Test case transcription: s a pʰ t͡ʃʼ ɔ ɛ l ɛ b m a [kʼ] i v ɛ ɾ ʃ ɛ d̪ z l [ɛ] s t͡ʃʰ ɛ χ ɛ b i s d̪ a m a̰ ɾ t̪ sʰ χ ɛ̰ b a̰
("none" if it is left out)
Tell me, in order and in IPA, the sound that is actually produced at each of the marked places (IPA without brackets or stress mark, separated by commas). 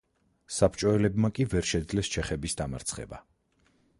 kʼ, ɛ